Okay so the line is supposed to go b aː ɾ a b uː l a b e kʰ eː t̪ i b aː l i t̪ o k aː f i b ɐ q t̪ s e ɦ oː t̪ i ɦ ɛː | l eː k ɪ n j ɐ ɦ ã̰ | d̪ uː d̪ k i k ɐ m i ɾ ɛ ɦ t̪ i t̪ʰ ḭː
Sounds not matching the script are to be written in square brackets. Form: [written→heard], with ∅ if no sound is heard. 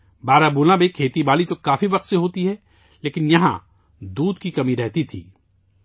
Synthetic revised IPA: b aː ɾ a b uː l a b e kʰ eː t̪ i b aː l i t̪ o k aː f i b ɐ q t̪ s e ɦ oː t̪ i ɦ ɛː | l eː k ɪ n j ɐ ɦ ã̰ | d̪ uː d̪ k i k ɐ m i ɾ ɛ ɦ t̪ i t̪ʰ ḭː